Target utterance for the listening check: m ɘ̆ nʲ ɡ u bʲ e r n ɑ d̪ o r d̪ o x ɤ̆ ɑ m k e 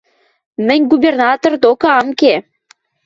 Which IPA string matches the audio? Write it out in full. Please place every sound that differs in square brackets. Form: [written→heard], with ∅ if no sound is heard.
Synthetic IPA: m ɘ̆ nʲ ɡ u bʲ e r n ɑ [d̪→t̪] o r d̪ o [x→k] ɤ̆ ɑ m k e